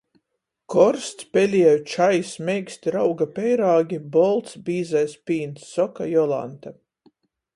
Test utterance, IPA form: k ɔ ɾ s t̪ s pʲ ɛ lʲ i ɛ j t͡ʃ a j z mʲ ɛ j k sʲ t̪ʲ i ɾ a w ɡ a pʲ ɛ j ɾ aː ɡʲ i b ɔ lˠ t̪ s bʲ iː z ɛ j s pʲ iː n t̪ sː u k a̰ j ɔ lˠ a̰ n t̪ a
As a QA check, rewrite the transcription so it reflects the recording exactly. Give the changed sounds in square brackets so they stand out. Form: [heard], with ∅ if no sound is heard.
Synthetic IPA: k ɔ ɾ s t̪ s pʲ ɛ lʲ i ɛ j t͡ʃ a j [s] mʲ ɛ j k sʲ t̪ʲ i ɾ a w ɡ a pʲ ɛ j ɾ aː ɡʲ i b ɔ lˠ t̪ s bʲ iː z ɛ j s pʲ iː n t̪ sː [ɔ] k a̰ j ɔ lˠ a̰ n t̪ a